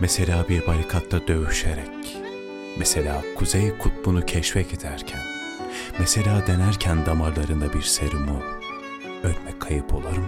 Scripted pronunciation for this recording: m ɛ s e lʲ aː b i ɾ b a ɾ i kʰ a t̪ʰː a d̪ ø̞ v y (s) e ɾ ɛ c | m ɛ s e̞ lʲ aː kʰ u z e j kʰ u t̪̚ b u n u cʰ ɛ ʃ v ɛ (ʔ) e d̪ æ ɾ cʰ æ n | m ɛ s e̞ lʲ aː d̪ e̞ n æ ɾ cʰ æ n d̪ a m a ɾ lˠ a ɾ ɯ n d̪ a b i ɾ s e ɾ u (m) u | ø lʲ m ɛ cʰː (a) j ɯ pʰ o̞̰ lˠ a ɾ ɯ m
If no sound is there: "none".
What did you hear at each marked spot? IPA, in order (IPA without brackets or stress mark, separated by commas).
ʃ, c, m, a